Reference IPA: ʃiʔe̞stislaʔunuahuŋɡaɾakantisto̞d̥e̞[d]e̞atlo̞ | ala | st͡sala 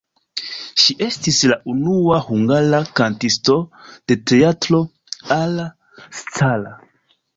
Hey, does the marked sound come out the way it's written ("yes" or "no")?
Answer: no